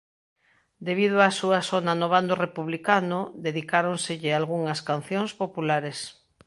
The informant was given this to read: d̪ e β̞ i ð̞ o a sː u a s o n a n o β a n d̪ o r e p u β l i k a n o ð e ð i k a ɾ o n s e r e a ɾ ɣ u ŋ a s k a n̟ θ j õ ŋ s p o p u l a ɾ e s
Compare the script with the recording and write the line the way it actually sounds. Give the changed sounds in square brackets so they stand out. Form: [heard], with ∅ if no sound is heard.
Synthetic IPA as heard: d̪ e β̞ i ð̞ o a [s] u a s o n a n o β a n d̪ o r e p u β l i k a n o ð e ð i k a ɾ o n s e [ʎ] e a [l] ɣ u ŋ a s k a n̟ θ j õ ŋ s p o p u l a ɾ e s

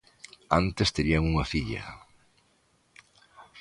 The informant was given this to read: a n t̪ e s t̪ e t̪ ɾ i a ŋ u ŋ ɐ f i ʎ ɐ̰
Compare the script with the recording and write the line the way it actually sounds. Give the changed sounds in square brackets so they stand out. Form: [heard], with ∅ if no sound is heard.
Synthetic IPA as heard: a n t̪ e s t̪ e [∅] ɾ i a ŋ u ŋ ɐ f i ʎ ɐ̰

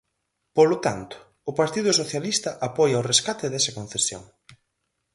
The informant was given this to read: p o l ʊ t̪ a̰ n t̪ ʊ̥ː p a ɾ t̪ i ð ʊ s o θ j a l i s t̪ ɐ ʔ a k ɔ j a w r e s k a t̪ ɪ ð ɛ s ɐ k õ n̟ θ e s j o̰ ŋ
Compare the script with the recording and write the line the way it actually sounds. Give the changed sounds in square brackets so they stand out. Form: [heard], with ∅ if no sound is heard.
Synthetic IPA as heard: p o l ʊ t̪ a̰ n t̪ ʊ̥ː p a ɾ t̪ i ð ʊ s o θ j a l i s t̪ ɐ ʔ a [p] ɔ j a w r e s k a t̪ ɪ ð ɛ s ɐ k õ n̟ θ e s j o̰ ŋ

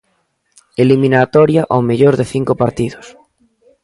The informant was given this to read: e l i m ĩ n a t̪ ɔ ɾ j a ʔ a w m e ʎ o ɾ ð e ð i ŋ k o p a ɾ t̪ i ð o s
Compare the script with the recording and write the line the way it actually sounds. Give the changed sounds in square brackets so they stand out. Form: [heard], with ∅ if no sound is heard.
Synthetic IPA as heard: e l i m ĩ n a t̪ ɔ ɾ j a ʔ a w m e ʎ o ɾ ð e [θ] i ŋ k o p a ɾ t̪ i ð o s

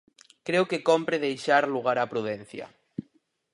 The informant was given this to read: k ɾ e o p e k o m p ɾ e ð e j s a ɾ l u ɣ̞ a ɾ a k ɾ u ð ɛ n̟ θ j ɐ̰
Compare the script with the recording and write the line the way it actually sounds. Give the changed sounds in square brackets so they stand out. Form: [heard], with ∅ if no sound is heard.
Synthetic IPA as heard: k ɾ e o [k] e k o m p ɾ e ð e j [ʃ] a ɾ l u ɣ̞ a ɾ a [p] ɾ u ð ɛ n̟ θ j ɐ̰

